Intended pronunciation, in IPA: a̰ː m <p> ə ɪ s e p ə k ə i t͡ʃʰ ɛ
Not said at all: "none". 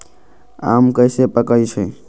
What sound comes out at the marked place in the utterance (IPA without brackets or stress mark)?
k